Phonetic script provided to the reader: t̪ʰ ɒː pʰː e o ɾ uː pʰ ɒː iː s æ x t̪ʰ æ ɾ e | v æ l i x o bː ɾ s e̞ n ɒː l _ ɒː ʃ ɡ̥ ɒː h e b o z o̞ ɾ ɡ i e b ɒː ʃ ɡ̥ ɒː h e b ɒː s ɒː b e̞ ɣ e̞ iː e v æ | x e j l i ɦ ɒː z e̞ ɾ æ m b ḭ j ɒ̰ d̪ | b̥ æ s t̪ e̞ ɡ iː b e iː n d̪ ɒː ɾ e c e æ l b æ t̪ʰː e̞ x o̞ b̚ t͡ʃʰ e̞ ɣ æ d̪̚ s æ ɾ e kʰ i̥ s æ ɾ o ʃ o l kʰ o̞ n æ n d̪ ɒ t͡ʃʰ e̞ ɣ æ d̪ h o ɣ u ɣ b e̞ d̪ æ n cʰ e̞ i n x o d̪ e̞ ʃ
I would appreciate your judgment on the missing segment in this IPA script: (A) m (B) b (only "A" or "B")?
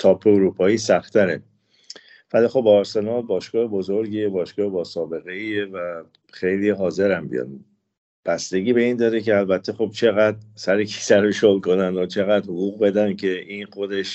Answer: B